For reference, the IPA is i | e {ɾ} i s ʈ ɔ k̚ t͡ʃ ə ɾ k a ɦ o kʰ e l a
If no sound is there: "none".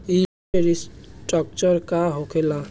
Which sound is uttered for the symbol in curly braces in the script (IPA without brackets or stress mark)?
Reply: ɾ